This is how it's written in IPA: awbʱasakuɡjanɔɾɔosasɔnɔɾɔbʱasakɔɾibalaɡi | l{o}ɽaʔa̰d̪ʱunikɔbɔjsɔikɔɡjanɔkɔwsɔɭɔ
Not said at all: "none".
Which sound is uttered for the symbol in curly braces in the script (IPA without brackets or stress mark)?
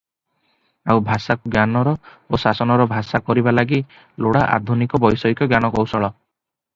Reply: o